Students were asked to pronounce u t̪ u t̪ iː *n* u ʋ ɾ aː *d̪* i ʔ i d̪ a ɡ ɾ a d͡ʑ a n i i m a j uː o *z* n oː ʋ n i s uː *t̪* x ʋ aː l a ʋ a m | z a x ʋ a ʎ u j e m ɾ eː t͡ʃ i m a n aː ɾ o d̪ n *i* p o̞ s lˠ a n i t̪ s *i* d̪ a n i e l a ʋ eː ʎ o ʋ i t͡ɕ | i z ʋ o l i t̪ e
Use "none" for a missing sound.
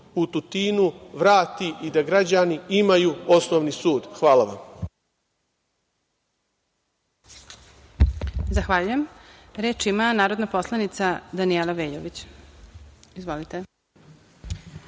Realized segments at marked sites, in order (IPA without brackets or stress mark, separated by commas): n, t̪, s, d̪, a, a